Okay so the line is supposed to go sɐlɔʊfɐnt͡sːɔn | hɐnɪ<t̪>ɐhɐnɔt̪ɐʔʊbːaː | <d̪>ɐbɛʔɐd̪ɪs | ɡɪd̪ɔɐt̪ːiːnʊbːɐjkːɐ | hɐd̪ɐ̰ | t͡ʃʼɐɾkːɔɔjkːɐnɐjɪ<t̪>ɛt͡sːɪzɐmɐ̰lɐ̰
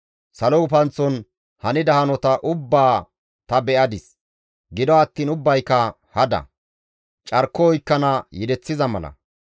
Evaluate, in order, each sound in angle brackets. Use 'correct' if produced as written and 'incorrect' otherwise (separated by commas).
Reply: incorrect, incorrect, incorrect